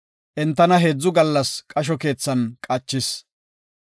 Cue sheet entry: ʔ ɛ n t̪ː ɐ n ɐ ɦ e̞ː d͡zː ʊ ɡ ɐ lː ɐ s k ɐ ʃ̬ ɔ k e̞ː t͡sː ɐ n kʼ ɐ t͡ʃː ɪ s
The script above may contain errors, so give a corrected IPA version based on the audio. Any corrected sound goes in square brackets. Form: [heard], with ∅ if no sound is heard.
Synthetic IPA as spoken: ʔ ɛ n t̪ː ɐ n ɐ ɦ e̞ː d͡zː ʊ ɡ ɐ lː ɐ s [kʼ] ɐ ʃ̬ ɔ k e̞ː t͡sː ɐ n kʼ ɐ t͡ʃː ɪ s